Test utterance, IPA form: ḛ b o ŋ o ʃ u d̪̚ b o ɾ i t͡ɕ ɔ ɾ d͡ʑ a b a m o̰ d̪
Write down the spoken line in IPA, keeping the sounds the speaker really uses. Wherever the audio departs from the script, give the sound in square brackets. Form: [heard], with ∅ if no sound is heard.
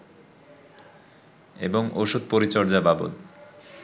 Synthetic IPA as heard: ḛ b o ŋ o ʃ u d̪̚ [p] o ɾ i t͡ɕ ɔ ɾ d͡ʑ a b a [b] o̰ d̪